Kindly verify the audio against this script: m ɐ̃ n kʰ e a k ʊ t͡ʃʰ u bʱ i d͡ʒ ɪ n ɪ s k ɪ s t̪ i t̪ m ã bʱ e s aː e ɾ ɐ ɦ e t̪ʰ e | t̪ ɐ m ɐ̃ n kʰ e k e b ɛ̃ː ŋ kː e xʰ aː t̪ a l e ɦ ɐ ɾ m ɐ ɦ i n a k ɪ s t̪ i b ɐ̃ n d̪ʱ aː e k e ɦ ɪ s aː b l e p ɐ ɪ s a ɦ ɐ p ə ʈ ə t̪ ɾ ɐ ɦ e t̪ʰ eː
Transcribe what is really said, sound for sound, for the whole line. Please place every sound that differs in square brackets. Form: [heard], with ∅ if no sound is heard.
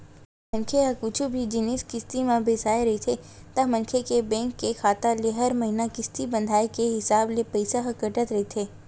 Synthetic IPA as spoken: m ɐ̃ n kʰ e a k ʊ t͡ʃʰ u bʱ i d͡ʒ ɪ n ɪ s k ɪ s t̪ i [∅] m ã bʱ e s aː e ɾ ɐ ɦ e t̪ʰ e | t̪ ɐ m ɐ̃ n kʰ e k e b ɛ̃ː ŋ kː e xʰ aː t̪ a l e ɦ ɐ ɾ m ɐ ɦ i n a k ɪ s t̪ i b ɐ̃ n d̪ʱ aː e k e ɦ ɪ s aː b l e p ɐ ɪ s a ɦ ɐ [k] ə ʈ ə t̪ ɾ ɐ ɦ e t̪ʰ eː